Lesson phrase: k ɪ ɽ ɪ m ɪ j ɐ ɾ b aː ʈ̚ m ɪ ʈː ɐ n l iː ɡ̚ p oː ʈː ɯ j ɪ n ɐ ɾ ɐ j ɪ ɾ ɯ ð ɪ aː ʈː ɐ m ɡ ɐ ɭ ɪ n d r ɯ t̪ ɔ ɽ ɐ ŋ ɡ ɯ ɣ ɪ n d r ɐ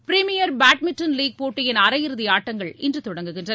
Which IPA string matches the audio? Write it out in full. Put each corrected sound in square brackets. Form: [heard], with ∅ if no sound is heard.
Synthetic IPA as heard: [p] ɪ [ɾ] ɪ m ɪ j ɐ ɾ b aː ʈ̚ m ɪ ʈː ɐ n l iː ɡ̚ p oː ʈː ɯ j ɪ n ɐ ɾ ɐ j ɪ ɾ ɯ ð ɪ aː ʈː ɐ [ŋ] ɡ ɐ ɭ ɪ n d r ɯ t̪ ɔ ɽ ɐ ŋ ɡ ɯ ɣ ɪ n d r ɐ